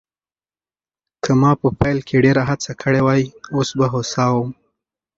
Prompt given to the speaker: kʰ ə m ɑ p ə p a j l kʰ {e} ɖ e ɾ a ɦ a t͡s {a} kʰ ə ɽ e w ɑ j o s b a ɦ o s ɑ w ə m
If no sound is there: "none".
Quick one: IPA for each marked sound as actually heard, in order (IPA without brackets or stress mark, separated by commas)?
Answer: e, a